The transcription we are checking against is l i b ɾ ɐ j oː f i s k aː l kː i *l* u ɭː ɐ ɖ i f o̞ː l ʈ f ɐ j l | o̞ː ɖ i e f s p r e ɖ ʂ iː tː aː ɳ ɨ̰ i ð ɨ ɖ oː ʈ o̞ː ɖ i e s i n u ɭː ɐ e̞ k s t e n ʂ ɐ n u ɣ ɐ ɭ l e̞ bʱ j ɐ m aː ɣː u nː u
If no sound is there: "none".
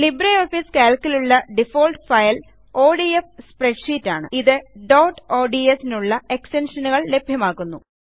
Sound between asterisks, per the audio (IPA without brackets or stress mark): l